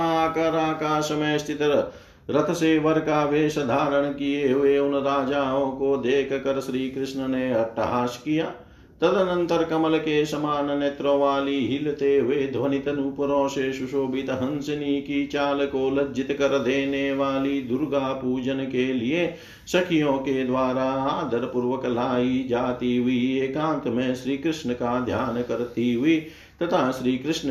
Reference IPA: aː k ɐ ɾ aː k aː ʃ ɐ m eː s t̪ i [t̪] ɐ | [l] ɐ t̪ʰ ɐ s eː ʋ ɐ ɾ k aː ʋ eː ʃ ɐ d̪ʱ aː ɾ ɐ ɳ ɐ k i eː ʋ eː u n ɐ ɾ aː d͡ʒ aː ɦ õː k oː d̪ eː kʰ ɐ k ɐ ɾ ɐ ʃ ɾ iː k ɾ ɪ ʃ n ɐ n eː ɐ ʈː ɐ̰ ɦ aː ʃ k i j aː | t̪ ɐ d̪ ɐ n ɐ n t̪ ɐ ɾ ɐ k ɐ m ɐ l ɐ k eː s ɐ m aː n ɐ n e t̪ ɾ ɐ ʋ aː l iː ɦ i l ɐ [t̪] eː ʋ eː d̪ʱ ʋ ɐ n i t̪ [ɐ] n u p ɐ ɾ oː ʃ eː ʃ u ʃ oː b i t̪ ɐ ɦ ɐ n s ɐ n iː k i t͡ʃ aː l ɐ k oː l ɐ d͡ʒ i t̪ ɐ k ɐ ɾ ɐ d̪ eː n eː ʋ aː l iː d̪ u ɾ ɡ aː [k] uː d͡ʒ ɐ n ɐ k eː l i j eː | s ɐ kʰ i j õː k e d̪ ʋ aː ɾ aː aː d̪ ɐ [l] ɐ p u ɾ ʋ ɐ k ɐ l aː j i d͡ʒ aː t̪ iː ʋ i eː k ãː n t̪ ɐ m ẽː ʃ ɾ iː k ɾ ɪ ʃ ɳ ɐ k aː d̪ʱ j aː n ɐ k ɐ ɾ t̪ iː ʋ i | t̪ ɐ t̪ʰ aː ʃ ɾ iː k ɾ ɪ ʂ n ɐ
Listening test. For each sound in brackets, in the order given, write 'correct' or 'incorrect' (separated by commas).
correct, incorrect, correct, correct, incorrect, incorrect